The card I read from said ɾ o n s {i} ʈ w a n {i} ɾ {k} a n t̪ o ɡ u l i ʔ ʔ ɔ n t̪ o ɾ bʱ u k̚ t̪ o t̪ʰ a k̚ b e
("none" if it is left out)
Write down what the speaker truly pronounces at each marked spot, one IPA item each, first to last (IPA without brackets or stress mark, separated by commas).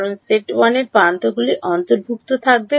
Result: e, e, p